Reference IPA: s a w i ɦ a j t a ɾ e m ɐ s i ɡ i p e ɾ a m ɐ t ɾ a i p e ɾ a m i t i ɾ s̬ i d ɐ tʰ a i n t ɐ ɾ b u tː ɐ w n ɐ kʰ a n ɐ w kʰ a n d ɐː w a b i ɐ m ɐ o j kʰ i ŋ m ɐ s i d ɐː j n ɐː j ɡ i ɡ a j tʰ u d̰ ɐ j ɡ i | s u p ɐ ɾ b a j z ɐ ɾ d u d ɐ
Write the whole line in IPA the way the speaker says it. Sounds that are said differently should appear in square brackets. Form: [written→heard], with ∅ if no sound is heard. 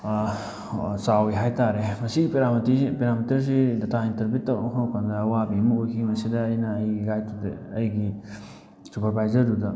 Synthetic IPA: s a w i ɦ a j t a ɾ e m ɐ s i ɡ i p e ɾ a m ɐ t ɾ [a→i] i p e ɾ a m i t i ɾ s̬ i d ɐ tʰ a i n t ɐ ɾ b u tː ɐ w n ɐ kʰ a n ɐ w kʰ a n d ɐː w a b i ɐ m ɐ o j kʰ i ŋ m ɐ s i d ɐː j n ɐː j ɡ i ɡ a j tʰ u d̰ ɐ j ɡ i | s u p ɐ ɾ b a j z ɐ ɾ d u d ɐ